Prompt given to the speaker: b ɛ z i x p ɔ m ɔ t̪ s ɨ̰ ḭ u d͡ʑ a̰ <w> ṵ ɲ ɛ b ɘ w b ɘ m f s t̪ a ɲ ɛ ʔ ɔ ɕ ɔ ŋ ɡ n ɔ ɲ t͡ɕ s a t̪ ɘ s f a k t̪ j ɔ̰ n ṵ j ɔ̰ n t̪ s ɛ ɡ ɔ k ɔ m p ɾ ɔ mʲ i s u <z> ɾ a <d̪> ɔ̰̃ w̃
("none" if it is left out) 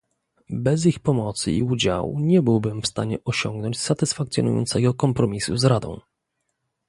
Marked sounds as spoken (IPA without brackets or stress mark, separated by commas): w, z, d̪